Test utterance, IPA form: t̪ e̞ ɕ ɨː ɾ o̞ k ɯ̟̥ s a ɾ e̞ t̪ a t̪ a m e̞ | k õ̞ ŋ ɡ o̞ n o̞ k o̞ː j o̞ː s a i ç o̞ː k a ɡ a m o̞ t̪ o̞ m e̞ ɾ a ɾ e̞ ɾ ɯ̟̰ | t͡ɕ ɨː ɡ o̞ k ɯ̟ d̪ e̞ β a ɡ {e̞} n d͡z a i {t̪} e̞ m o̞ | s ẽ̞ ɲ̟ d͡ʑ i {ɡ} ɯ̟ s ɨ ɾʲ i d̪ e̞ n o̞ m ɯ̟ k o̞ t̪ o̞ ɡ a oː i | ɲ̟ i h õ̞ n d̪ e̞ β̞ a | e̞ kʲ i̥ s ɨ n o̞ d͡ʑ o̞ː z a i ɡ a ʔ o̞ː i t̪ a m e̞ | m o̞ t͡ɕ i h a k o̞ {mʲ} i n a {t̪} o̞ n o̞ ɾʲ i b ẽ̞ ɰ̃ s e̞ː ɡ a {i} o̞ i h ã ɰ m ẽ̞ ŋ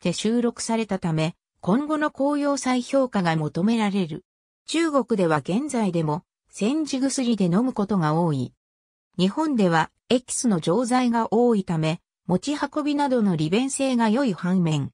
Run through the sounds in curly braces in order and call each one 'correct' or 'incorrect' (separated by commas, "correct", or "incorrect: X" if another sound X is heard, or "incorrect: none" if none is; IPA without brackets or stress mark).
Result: incorrect: ẽ̞, incorrect: d̪, correct, incorrect: bʲ, incorrect: d̪, incorrect: j